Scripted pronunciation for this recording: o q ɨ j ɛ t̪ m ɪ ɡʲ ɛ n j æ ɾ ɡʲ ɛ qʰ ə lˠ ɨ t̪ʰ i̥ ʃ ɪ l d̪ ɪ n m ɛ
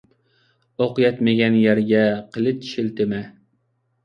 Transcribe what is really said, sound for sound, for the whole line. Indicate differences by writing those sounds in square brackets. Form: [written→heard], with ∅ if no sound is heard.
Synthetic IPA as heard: o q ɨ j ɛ t̪ m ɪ ɡʲ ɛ n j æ ɾ ɡʲ ɛ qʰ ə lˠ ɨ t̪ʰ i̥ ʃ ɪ l [d̪→t̪] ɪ [n→∅] m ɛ

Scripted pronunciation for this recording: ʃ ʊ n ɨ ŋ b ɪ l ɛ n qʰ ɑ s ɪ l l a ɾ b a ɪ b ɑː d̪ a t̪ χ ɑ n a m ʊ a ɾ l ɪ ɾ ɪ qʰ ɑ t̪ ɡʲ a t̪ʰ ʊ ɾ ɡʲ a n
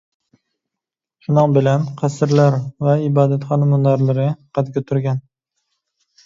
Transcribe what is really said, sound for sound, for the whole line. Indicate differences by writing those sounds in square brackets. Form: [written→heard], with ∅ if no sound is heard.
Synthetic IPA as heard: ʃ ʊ n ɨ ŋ b ɪ l [ɛ→a] n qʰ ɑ s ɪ [l→ɾ] l a ɾ [b→v] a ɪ b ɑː d̪ a t̪ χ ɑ n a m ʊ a ɾ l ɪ ɾ ɪ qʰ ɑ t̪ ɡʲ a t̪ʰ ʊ ɾ ɡʲ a n

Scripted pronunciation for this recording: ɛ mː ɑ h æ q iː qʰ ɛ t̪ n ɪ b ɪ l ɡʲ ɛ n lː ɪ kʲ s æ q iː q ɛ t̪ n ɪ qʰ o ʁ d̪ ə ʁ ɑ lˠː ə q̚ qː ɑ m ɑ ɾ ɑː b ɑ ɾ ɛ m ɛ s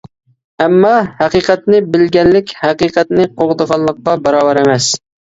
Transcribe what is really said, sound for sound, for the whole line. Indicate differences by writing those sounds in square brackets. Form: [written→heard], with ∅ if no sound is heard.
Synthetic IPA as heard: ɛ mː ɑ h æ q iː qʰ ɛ t̪ n ɪ b ɪ l ɡʲ ɛ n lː ɪ kʲ [s→h] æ q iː q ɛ t̪ n ɪ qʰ o ʁ d̪ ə ʁ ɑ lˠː ə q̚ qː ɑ [m→b] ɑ ɾ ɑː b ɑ ɾ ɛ m ɛ s

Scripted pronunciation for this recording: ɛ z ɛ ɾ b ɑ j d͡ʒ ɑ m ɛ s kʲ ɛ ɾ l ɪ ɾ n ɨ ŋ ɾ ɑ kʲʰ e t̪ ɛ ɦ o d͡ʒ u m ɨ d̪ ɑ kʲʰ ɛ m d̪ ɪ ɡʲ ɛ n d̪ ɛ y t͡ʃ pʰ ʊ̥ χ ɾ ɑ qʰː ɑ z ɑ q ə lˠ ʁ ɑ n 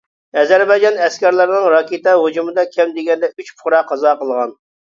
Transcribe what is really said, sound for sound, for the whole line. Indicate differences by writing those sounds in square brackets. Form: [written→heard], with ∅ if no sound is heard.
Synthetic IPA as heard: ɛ z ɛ ɾ b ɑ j d͡ʒ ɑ [m→n] ɛ s kʲ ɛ ɾ l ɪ ɾ n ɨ ŋ ɾ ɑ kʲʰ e t̪ ɛ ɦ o d͡ʒ u m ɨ d̪ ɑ kʲʰ ɛ m d̪ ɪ ɡʲ ɛ n d̪ ɛ y t͡ʃ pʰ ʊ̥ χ ɾ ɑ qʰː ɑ z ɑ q ə lˠ ʁ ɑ n

